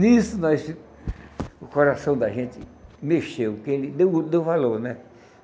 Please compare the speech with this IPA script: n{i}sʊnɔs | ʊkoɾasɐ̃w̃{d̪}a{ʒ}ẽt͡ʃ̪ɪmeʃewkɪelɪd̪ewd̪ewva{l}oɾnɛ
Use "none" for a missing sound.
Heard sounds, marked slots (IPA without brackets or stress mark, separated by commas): i, d̪, ʒ, l